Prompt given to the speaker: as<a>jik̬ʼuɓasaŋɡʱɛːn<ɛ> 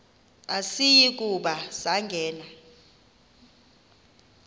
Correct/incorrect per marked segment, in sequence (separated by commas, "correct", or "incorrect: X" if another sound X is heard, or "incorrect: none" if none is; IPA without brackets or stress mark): incorrect: i, incorrect: a